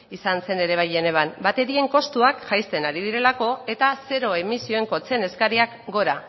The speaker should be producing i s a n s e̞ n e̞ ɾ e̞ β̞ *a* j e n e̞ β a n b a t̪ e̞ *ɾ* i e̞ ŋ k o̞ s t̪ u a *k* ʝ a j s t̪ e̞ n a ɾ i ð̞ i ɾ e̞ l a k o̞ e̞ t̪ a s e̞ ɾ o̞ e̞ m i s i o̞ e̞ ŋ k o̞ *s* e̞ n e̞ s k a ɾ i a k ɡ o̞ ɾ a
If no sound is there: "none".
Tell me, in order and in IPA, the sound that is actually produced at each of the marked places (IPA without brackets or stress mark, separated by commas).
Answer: a, ɾ, k, t͡s